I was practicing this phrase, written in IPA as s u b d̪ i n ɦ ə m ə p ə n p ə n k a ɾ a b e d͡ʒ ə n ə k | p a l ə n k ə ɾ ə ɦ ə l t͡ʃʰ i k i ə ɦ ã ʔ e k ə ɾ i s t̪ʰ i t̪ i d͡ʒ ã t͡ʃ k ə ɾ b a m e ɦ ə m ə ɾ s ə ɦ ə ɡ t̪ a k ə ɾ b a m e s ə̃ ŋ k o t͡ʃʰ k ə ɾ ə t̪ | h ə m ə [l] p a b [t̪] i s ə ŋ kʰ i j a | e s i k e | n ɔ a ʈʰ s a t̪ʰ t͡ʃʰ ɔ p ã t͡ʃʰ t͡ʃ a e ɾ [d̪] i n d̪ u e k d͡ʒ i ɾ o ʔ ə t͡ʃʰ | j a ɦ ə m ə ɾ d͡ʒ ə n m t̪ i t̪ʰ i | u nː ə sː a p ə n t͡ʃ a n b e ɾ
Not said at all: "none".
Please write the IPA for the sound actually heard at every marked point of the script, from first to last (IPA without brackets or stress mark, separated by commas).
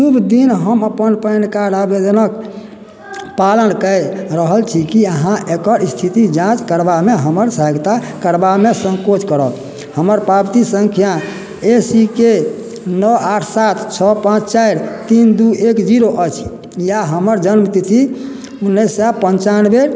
ɾ, t̪, t̪